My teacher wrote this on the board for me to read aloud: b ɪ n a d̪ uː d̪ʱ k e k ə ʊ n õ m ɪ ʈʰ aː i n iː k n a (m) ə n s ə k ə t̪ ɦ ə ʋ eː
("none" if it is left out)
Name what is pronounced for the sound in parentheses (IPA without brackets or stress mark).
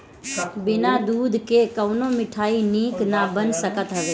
b